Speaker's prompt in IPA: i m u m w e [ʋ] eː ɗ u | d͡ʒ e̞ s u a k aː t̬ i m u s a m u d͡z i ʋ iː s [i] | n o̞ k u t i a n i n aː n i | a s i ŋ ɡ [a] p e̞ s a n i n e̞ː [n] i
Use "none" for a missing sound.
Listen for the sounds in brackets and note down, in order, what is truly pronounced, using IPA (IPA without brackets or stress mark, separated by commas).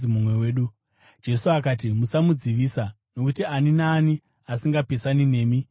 w, a, a, m